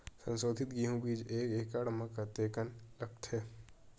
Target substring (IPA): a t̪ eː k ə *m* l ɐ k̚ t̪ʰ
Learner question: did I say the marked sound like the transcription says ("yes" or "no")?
no